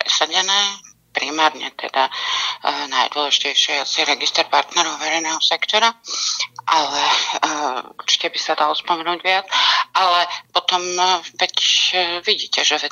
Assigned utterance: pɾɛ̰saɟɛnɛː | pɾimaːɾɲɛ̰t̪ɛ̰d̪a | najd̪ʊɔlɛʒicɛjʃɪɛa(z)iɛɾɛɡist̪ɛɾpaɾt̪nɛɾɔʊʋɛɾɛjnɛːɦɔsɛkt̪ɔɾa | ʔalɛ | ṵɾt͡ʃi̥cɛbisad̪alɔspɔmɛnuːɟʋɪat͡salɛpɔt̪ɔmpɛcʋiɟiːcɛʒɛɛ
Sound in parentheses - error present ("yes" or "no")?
yes